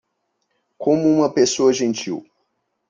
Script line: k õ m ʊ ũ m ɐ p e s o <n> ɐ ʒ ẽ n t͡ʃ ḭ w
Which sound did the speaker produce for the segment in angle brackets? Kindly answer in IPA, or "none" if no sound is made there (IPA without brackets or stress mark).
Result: none